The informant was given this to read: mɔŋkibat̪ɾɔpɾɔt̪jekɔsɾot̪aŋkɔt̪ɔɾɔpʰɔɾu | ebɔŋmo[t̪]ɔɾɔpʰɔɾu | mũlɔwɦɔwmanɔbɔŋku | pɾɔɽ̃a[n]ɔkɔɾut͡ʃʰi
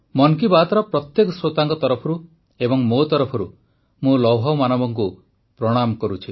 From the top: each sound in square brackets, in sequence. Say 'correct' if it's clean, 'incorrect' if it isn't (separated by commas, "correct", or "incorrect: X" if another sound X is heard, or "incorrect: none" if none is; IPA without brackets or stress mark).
correct, incorrect: m